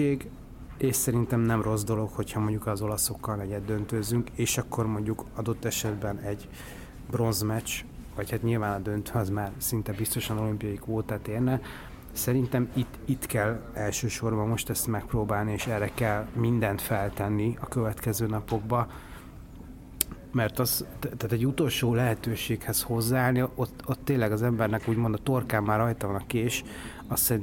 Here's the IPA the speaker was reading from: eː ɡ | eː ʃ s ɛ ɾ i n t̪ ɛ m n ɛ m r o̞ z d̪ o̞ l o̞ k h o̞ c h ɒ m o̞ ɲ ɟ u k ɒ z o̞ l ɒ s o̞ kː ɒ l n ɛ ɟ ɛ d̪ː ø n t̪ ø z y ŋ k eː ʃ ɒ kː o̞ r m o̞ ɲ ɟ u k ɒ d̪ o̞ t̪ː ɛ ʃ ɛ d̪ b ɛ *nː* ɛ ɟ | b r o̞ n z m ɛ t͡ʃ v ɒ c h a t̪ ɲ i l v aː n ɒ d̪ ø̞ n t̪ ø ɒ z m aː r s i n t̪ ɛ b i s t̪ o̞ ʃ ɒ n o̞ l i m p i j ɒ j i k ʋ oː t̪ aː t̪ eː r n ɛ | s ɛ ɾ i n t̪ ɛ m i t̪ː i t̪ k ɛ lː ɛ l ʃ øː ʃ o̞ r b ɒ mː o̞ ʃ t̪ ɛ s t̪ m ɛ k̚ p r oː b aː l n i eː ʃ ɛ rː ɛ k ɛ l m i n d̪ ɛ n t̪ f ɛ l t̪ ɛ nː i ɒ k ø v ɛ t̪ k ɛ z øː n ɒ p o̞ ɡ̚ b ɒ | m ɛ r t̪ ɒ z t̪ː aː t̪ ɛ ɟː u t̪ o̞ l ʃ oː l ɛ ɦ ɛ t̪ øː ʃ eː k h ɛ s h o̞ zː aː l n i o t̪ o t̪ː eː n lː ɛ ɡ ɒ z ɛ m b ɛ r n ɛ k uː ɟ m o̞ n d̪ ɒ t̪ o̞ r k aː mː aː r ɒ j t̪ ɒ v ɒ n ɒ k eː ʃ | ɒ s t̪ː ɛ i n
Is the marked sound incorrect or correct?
incorrect